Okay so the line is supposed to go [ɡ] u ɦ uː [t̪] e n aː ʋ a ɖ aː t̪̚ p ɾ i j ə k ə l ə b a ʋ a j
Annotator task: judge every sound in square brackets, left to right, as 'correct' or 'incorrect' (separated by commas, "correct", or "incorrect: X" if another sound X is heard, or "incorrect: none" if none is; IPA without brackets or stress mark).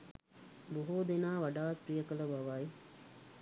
incorrect: b, incorrect: d̪